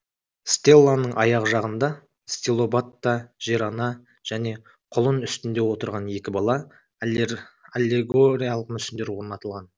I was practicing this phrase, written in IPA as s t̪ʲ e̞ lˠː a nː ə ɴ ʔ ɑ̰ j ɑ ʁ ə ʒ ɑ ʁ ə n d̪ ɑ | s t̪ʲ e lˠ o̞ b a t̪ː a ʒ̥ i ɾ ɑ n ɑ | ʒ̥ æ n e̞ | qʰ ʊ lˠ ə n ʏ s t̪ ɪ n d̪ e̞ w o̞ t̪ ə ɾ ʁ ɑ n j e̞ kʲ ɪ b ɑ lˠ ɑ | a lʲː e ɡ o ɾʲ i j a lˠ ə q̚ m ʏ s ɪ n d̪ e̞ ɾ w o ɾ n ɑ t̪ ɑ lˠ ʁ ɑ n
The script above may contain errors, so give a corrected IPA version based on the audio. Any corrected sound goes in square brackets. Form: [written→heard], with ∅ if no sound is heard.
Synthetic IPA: s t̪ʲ e̞ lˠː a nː ə ɴ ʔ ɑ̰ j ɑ ʁ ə ʒ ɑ ʁ ə n d̪ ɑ | s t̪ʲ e lˠ o̞ b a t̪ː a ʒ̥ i ɾ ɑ n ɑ | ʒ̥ æ n e̞ | qʰ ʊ lˠ ə n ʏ s t̪ ɪ n d̪ e̞ w o̞ t̪ ə ɾ ʁ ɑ n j e̞ kʲ ɪ b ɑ lˠ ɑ | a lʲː e ɡ o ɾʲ i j a lˠ ə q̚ m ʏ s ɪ n d̪ e̞ ɾ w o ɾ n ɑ t̪ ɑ lˠ ʁ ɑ n